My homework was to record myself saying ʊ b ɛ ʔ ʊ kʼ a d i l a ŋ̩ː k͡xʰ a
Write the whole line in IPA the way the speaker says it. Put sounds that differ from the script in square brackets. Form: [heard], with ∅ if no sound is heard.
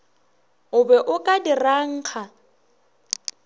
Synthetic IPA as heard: ʊ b ɛ ʔ ʊ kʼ a d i [r] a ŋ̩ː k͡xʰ a